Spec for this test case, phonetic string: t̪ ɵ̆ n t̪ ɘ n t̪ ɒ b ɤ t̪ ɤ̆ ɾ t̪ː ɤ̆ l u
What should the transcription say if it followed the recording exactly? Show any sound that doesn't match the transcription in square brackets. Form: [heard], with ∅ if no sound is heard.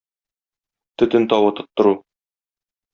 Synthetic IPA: t̪ ɵ̆ [∅] t̪ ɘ n t̪ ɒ [w] ɤ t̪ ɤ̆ [∅] t̪ː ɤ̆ [ɾ] u